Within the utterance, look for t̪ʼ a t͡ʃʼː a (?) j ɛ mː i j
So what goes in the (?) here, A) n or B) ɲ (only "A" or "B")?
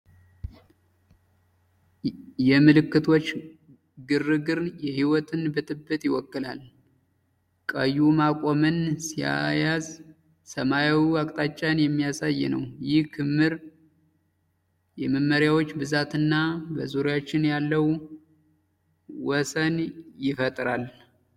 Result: A